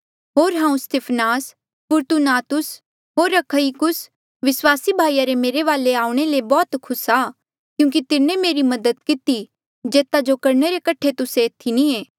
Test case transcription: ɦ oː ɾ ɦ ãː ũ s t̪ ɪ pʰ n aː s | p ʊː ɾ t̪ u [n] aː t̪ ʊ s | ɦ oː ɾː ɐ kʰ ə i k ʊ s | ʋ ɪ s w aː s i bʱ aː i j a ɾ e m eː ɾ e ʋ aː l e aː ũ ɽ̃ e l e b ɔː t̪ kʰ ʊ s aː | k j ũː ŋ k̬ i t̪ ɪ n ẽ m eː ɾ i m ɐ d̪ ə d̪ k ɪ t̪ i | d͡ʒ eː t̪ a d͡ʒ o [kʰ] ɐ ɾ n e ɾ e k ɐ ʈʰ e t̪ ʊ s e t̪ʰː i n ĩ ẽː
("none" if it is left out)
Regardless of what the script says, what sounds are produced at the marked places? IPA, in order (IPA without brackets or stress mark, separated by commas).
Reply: n, k